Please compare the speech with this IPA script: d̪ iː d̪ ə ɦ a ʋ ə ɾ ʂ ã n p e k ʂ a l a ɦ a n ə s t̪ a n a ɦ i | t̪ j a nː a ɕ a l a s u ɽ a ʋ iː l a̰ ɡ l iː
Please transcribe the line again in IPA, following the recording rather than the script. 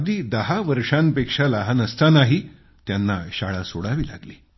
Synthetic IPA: d̪ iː d̪ ə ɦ a ʋ ə ɾ ʂ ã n p e k ʂ a l a ɦ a n ə s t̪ a n a ɦ i | t̪ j a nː a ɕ a ɭ a s o ɽ a ʋ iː l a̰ ɡ l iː